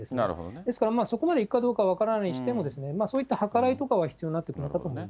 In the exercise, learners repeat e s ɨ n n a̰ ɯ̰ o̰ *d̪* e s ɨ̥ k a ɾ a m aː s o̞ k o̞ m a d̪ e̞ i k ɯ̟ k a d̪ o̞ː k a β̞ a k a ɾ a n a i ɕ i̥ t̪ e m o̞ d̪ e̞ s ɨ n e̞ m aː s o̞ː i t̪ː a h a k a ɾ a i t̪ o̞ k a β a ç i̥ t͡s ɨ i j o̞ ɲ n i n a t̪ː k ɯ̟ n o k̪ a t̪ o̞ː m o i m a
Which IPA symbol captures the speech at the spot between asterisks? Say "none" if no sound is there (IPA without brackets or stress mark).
d̪